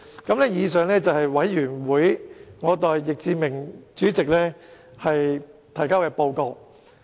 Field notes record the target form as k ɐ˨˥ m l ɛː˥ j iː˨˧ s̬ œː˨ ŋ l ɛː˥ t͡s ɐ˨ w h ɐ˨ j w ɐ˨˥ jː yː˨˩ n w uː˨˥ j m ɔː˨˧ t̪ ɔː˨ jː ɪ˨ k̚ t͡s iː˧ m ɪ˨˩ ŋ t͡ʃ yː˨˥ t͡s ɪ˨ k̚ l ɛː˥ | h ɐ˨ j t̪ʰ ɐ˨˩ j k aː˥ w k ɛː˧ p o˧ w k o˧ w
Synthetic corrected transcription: k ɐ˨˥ m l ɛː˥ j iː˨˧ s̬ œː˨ ŋ l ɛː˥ t͡s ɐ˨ w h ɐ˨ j w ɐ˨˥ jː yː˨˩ n w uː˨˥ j ŋ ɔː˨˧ t̪ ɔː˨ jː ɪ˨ k̚ t͡s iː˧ m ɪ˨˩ ŋ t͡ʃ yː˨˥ t͡s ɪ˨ k̚ l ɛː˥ | h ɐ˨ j t̪ʰ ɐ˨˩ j k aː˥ w k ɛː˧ p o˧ w k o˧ w